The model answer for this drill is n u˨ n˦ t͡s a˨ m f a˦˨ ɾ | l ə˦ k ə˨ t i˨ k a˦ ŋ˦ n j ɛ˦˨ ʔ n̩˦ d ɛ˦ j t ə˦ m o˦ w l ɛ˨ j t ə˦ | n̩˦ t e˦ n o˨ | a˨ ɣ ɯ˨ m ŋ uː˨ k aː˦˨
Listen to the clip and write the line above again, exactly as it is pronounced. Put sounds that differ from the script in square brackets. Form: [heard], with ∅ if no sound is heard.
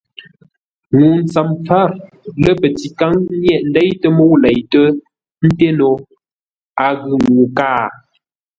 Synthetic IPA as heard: [ŋ] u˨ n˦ t͡s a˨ m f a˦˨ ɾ | l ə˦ [p] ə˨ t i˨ k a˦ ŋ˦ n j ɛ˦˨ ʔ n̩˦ d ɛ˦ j t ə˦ m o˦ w l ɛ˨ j t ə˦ | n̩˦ t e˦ n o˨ | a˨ ɣ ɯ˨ [ŋ] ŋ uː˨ k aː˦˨